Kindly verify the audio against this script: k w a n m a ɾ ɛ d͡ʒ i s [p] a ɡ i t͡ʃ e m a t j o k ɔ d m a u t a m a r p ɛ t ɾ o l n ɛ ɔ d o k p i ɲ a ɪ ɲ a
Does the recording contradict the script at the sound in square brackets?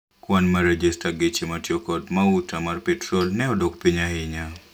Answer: yes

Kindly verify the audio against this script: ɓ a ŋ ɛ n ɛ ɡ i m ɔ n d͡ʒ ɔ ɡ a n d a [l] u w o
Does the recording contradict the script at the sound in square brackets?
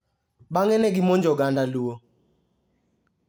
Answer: no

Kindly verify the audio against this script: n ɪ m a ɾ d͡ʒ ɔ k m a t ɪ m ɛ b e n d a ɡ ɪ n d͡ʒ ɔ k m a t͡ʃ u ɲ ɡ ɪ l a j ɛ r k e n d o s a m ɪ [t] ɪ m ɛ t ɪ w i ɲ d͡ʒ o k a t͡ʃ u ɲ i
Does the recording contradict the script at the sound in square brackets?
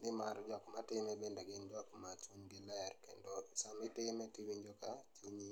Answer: no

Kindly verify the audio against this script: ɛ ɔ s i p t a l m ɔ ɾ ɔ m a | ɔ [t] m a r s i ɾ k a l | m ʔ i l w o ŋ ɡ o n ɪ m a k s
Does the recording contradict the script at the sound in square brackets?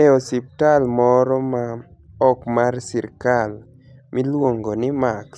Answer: yes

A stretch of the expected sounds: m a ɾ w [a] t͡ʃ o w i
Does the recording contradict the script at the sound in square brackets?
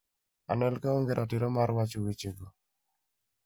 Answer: no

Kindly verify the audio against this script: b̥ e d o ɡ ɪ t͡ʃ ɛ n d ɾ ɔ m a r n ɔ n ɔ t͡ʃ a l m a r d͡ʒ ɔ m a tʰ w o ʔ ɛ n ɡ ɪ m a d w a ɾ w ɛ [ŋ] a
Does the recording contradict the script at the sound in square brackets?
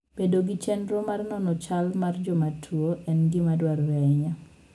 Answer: yes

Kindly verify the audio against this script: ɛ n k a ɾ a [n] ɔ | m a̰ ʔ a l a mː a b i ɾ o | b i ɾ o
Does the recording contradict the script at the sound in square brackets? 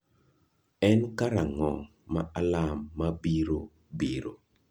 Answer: yes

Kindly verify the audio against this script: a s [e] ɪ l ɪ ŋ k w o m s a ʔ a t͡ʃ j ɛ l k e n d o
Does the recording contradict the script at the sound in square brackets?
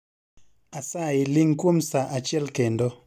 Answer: yes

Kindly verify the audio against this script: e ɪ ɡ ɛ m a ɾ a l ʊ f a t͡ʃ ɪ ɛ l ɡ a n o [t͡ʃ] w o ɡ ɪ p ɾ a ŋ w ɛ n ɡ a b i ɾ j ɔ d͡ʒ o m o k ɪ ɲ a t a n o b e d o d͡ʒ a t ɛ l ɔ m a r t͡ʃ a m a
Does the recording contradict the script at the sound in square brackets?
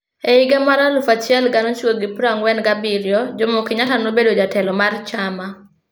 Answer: no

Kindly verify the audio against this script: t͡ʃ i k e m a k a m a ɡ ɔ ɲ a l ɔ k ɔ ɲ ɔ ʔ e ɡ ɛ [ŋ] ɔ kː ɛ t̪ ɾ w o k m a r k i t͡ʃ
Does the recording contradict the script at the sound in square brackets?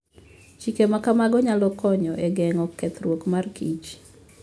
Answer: no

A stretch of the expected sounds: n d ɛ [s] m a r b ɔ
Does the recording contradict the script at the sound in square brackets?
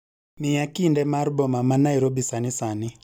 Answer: yes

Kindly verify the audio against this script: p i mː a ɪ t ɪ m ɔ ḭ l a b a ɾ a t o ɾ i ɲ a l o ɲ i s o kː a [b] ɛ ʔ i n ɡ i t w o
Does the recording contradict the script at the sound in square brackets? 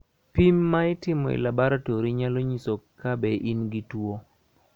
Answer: no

